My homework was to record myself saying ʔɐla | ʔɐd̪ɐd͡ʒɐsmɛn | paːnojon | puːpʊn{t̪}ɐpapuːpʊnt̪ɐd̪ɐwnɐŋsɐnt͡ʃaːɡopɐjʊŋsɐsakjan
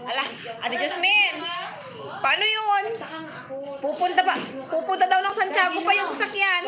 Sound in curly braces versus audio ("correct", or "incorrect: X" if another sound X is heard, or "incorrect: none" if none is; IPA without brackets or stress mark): correct